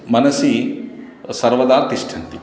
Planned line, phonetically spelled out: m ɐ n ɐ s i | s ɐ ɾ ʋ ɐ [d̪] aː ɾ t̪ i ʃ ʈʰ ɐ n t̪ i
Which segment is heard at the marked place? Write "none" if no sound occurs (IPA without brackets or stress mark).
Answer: d̪